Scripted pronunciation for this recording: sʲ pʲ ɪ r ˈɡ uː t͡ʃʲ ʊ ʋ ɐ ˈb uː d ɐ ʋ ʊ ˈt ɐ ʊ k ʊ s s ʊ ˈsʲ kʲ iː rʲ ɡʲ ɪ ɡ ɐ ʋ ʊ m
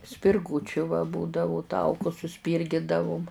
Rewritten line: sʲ pʲ ɪ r ˈɡ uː t͡ʃʲ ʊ ʋ ɐ ˈb uː d ɐ ʋ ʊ ˈt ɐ ʊ k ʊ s s ʊ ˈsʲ pʲ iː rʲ ɡʲ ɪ d ɐ ʋ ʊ m